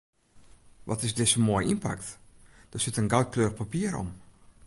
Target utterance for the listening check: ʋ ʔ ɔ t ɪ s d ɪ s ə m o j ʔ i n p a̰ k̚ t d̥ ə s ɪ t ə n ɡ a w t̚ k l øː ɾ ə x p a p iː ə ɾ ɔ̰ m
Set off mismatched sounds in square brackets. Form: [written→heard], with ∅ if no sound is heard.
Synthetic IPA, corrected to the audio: ʋ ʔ ɔ t ɪ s d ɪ s ə m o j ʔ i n p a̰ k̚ t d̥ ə s ɪ t ə n ɡ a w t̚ k l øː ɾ ə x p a p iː ə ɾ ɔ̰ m

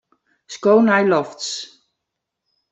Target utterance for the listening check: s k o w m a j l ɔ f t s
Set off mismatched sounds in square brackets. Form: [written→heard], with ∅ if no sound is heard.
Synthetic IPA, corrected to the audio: s k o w [m→n] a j l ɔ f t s

